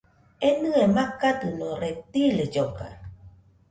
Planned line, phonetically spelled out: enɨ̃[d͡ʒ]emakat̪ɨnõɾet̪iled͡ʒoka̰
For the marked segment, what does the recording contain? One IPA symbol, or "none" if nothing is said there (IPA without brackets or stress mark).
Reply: none